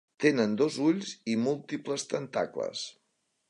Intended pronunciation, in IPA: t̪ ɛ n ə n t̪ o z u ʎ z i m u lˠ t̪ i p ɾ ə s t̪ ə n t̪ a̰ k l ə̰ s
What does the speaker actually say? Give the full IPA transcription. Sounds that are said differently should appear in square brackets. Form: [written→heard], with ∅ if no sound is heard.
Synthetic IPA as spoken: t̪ [ɛ→e] n ə n [t̪→d̪] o z u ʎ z i m u lˠ t̪ i p [ɾ→l] ə s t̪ ə n t̪ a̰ k l ə̰ s